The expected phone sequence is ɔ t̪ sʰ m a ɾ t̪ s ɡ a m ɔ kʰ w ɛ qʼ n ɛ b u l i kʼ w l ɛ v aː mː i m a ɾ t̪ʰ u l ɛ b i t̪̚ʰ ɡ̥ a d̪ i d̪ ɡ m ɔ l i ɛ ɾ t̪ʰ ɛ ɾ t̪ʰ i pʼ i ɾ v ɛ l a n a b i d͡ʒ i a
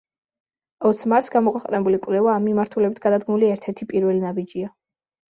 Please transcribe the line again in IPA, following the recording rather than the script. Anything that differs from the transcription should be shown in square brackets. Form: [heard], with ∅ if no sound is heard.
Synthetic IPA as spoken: ɔ t̪ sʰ m a ɾ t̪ s ɡ a m ɔ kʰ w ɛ qʼ n ɛ b u l i kʼ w l ɛ v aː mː i m a ɾ t̪ʰ u l ɛ b i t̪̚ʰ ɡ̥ a d̪ [a] d̪ ɡ m [u] l i ɛ ɾ t̪ʰ ɛ ɾ t̪ʰ i pʼ i ɾ v ɛ l [i] n a b i d͡ʒ i a